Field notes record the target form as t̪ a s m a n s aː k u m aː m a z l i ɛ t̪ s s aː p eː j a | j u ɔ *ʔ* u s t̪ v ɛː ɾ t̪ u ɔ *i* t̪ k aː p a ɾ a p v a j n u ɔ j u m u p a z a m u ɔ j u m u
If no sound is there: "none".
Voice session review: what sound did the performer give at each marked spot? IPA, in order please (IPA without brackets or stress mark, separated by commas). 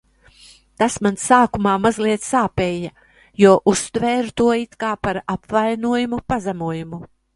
ʔ, i